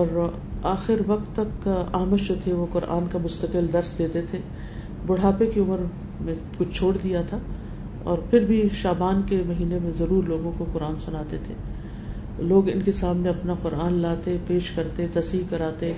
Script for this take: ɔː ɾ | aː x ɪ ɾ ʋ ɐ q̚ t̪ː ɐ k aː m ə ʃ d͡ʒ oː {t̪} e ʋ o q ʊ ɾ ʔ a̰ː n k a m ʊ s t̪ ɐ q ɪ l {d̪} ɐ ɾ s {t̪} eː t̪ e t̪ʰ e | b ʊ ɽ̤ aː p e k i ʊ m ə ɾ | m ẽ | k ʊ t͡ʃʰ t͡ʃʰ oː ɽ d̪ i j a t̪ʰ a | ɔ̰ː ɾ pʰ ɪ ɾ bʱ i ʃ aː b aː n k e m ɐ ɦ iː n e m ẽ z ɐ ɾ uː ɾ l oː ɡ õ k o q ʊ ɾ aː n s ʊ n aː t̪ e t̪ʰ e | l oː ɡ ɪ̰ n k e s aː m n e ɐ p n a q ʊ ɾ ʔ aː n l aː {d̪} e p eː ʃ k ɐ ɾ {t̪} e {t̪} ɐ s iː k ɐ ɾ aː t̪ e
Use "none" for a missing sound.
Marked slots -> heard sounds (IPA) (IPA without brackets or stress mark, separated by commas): t̪ʰ, d̪, d̪, t̪, t̪, t̪